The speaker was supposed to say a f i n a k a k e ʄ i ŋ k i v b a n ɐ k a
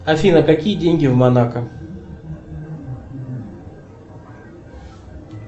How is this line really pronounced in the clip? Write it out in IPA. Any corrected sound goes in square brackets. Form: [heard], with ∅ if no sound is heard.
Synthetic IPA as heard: a f i n a k a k [i] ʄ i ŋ [ɡ] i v [m] a n [a] k a